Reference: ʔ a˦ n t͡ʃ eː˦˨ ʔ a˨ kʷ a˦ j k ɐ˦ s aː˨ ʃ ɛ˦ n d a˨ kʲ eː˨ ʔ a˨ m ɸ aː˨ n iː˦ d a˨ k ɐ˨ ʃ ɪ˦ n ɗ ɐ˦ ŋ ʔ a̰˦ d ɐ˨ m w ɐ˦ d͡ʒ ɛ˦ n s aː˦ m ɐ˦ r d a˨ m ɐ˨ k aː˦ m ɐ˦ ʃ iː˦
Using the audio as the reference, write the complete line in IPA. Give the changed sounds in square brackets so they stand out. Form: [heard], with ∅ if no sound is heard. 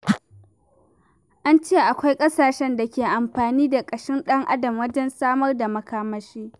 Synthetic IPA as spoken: ʔ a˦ n t͡ʃ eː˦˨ ʔ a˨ kʷ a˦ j [kʼ] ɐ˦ s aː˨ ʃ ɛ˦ n d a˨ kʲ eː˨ ʔ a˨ m ɸ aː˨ n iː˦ d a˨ [kʼ] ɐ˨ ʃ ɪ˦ n ɗ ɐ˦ ŋ ʔ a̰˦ d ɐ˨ m w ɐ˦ d͡ʒ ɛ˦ n s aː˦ m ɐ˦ r d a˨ m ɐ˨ k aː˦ m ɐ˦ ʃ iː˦